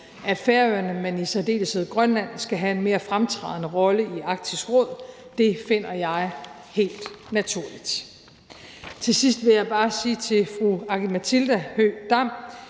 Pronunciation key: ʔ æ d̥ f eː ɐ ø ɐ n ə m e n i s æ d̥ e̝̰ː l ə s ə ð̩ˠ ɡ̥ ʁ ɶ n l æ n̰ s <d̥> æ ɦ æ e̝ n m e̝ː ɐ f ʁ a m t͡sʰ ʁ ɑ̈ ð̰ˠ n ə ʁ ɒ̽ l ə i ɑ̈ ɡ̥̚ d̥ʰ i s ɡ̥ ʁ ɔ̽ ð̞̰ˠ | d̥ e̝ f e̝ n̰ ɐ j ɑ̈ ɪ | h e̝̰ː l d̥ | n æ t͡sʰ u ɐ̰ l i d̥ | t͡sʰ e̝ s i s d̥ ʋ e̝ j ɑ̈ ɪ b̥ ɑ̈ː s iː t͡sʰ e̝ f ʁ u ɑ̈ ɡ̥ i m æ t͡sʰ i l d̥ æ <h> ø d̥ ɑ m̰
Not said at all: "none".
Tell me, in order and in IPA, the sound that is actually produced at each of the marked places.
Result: ɡ̥, h

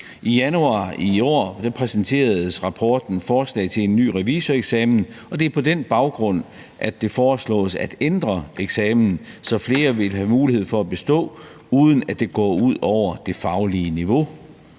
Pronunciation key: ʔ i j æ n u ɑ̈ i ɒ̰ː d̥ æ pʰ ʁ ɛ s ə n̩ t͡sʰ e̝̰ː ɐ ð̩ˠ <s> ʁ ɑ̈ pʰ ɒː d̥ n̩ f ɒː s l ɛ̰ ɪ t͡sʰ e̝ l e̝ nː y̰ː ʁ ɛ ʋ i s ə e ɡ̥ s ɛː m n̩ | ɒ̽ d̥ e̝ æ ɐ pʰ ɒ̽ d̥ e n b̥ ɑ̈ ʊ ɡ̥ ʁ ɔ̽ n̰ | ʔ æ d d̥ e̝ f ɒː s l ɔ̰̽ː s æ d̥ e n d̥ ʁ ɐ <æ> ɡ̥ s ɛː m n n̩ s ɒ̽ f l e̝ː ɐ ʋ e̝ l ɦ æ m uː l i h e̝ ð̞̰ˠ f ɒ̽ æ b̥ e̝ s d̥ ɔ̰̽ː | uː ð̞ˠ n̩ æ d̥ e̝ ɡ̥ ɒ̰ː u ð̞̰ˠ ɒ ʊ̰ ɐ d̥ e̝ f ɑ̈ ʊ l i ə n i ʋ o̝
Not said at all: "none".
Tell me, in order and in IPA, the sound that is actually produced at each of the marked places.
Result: s, e

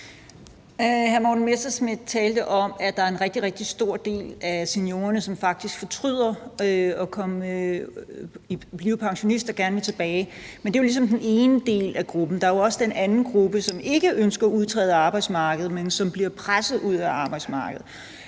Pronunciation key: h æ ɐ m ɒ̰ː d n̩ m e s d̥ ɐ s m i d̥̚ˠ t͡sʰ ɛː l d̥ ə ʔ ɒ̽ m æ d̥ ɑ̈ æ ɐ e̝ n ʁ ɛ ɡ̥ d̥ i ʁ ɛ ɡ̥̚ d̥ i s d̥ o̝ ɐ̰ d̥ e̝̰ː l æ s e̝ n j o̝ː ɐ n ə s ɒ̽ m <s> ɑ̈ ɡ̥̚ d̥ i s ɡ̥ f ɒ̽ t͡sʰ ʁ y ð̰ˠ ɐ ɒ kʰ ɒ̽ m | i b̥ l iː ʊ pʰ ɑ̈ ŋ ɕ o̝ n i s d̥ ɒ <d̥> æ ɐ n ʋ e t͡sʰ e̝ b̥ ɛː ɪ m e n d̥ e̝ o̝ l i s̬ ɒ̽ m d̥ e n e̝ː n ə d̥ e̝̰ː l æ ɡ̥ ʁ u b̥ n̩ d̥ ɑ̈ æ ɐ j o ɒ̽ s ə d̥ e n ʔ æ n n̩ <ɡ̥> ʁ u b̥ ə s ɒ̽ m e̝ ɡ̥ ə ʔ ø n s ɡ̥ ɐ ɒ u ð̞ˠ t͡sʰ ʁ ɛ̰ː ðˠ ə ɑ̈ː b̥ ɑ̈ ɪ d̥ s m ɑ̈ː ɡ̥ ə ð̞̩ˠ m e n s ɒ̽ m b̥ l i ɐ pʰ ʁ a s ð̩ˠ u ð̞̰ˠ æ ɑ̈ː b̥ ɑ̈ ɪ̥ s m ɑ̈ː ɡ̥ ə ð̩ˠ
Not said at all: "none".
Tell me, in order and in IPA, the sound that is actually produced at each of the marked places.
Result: f, ɡ̥, ɡ̥

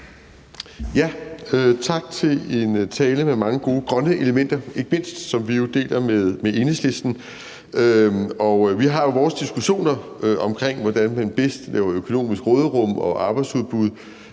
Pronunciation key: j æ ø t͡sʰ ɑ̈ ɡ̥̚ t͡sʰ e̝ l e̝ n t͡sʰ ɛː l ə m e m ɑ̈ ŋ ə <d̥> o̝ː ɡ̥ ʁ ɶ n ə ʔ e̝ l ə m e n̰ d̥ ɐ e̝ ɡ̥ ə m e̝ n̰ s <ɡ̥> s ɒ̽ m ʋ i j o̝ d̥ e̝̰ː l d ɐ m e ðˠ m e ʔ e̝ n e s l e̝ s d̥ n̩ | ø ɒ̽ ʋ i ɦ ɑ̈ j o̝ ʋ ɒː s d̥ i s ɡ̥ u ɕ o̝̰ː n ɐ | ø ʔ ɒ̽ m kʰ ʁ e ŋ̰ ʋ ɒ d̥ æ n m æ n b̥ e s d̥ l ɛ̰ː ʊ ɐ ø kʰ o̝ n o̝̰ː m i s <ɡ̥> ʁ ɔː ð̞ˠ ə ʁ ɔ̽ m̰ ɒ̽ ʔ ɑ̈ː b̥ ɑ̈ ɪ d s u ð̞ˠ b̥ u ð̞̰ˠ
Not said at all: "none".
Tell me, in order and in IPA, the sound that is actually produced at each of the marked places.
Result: ɡ̥, d̥, ɡ̥

